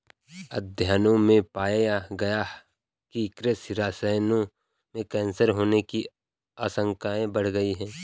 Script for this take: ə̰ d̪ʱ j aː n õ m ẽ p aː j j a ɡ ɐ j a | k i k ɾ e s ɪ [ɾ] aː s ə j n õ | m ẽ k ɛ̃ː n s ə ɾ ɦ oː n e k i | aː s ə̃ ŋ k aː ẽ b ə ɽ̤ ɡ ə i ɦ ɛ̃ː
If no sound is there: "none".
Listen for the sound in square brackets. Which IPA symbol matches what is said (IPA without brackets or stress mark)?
ɾ